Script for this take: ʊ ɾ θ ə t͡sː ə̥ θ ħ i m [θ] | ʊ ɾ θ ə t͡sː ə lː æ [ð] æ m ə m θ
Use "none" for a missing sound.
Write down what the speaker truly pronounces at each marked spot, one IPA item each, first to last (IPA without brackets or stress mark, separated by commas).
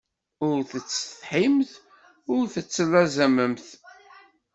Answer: θ, z